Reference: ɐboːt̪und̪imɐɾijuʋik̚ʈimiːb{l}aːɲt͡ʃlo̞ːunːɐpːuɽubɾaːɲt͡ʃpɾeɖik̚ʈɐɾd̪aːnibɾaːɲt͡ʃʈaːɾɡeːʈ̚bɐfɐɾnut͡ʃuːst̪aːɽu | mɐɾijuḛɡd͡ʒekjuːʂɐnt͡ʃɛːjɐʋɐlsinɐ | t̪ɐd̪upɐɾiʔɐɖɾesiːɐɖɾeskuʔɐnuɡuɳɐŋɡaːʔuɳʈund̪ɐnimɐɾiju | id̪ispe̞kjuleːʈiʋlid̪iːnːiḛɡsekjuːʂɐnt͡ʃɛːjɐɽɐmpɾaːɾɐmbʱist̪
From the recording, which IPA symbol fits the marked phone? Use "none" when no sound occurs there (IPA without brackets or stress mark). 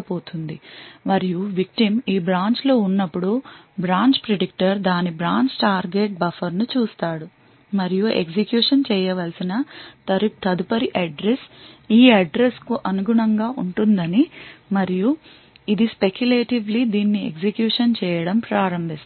ɾ